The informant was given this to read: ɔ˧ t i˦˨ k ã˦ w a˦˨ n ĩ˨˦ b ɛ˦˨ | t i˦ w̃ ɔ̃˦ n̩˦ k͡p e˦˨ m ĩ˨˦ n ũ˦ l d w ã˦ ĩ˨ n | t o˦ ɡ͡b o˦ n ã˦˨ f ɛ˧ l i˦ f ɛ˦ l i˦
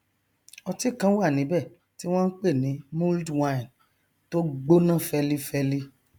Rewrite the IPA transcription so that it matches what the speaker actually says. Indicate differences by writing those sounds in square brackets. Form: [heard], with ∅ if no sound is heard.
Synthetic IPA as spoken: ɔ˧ t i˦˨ k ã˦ w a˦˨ n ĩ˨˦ b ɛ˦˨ | t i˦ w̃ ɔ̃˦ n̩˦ k͡p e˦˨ [n] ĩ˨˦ [m] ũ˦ l d w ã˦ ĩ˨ n | t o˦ ɡ͡b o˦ n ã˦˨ f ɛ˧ l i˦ f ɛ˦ l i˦